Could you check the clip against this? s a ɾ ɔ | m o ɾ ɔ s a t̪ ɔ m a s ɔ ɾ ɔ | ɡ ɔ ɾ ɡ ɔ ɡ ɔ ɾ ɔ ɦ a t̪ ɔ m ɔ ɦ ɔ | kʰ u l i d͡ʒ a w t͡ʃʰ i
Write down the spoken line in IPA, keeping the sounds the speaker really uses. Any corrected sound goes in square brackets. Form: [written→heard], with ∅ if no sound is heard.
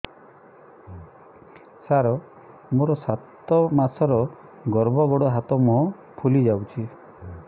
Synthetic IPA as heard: s a ɾ ɔ | m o ɾ ɔ s a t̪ ɔ m a s ɔ ɾ ɔ | ɡ ɔ ɾ [ɡ→b] ɔ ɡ ɔ [ɾ→ɽ] ɔ ɦ a t̪ ɔ m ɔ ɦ ɔ | [kʰ→pʰ] u l i d͡ʒ a w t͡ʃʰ i